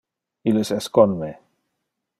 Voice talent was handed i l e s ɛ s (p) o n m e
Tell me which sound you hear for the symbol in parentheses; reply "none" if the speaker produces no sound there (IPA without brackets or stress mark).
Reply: k